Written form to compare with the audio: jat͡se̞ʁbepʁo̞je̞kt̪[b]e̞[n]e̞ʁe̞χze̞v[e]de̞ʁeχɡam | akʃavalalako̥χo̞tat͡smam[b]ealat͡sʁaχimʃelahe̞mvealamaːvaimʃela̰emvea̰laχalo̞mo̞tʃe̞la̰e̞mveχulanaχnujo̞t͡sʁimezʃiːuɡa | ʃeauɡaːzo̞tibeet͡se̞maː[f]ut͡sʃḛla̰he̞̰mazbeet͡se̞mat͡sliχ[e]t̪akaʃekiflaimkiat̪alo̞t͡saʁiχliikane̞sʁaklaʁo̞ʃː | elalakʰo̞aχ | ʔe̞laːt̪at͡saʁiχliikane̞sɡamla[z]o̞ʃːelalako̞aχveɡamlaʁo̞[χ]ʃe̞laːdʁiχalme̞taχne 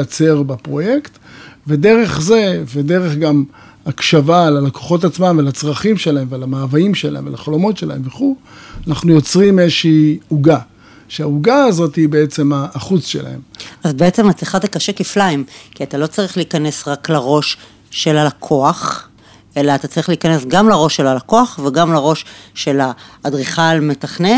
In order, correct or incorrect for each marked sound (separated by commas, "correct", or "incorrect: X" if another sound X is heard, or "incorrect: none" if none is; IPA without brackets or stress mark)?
incorrect: v, incorrect: d, correct, incorrect: v, incorrect: χ, incorrect: a, incorrect: ʁ, incorrect: ʃ